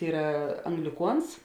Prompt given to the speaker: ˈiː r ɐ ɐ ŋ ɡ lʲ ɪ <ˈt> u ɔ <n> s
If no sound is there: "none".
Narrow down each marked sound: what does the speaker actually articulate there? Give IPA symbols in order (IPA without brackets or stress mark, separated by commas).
k, n